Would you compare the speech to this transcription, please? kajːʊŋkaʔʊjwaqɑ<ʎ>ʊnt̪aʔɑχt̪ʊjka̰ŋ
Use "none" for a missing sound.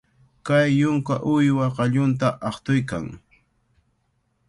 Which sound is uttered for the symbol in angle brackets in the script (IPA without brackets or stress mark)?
ʎ